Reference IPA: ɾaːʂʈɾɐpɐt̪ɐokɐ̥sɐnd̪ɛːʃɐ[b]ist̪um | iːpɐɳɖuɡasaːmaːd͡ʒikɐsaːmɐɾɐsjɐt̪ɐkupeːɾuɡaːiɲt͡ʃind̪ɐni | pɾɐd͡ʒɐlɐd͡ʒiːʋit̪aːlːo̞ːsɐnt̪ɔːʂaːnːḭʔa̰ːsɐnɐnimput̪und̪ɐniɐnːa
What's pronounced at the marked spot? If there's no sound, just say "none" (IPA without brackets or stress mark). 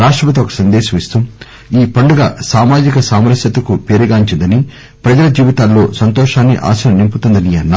m